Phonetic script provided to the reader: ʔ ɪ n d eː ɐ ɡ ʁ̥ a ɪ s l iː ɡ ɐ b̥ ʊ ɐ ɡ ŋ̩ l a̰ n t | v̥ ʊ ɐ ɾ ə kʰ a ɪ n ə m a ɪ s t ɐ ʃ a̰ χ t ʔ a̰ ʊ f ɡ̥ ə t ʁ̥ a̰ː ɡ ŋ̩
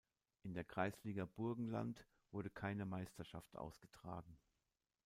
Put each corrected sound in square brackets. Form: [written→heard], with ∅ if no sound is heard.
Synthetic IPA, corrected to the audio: ʔ ɪ n d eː ɐ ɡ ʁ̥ a ɪ s l iː ɡ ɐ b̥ ʊ ɐ ɡ ŋ̩ l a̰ n t | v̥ ʊ ɐ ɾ ə kʰ a ɪ n ə m a ɪ s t ɐ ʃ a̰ [χ→f] t ʔ a̰ ʊ [f→s] ɡ̥ ə t ʁ̥ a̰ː ɡ ŋ̩